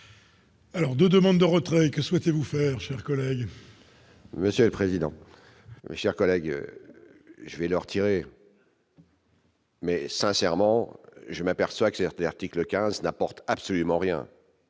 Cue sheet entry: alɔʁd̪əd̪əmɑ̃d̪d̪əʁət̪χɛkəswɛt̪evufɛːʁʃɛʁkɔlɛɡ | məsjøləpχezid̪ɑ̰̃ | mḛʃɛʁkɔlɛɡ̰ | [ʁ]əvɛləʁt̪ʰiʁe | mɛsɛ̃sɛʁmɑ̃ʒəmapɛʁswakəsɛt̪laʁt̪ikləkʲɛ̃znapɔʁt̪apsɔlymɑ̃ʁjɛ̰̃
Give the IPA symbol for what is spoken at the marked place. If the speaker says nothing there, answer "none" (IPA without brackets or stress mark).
ʒ